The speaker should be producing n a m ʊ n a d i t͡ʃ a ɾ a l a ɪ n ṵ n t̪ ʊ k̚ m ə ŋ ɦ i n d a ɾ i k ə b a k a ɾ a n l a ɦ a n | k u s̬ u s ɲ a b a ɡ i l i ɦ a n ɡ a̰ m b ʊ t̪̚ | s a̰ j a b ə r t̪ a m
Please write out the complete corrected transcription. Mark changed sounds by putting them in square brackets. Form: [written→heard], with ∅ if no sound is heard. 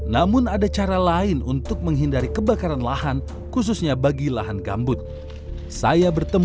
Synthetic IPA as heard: n a m ʊ n a d [i→a] t͡ʃ a ɾ a l a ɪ n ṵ n t̪ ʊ k̚ m ə ŋ ɦ i n d a ɾ i k ə b a k a ɾ a n l a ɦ a n | k u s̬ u s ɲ a b a ɡ i l [i→a] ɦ a n ɡ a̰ m b ʊ t̪̚ | s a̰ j a b ə r t̪ [a→ə] m